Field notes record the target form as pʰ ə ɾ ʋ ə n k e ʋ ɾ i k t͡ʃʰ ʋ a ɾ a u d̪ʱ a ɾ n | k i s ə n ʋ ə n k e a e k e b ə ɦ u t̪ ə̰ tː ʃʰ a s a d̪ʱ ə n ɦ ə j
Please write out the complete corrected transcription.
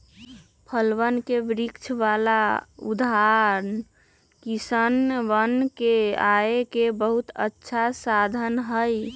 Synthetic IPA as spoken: pʰ ə l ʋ ə n k e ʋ ɾ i k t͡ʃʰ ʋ a l a u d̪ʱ a ɾ n | k i s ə n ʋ ə n k e a e k e b ə ɦ u t̪ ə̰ tː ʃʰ a s a d̪ʱ ə n ɦ ə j